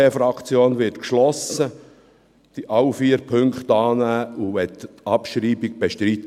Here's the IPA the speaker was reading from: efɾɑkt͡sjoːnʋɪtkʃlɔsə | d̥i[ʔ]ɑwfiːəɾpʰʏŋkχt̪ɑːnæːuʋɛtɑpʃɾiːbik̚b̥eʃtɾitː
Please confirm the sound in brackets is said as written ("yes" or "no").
yes